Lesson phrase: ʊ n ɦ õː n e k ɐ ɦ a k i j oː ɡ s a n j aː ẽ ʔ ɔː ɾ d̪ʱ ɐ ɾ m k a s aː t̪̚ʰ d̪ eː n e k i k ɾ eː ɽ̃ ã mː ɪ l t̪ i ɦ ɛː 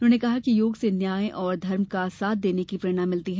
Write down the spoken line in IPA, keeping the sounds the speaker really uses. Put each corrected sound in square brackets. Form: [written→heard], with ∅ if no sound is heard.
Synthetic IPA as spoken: ʊ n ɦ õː n e k ɐ ɦ a k i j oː ɡ s [a→e] n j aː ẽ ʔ ɔː ɾ d̪ʱ ɐ ɾ m k a s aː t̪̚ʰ d̪ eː n e k i [k→p] ɾ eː ɽ̃ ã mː ɪ l t̪ i ɦ ɛː